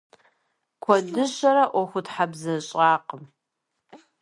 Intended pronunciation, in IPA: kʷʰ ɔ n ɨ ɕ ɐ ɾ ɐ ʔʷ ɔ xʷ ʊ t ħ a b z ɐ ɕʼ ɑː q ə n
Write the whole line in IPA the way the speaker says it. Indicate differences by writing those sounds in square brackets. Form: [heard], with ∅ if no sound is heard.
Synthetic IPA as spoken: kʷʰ ɔ [d] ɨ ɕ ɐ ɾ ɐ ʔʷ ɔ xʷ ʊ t ħ a b z ɐ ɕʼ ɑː q ə [m]